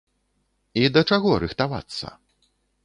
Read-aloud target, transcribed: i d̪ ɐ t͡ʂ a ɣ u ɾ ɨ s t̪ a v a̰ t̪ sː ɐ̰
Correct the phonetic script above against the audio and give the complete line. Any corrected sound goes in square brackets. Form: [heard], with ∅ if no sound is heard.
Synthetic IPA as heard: i d̪ ɐ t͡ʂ a ɣ [ɔ] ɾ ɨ [x] t̪ a v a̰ t̪ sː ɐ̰